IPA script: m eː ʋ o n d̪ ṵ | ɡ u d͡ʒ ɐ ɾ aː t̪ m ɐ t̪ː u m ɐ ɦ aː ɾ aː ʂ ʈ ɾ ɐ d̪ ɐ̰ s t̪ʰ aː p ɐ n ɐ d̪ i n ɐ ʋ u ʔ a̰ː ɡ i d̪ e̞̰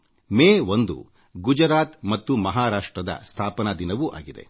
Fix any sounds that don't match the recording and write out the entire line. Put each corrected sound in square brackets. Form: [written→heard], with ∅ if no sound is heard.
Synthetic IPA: m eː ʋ o n d̪ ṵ | ɡ u d͡ʒ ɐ ɾ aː t̪ m ɐ t̪ː u m ɐ ɦ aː ɾ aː ʂ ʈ ɾ ɐ d̪ ɐ̰ s t̪ʰ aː p ɐ n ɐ d̪ i n ɐ ʋ u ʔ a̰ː ɡ i d̪ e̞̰